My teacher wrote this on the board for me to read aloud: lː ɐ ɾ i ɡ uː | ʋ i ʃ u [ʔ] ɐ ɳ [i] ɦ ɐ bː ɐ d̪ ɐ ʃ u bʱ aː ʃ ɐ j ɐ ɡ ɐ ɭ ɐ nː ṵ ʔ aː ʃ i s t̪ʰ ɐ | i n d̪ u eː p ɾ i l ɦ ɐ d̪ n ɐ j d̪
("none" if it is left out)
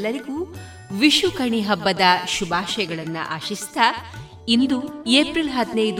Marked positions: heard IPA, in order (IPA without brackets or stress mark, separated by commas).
k, i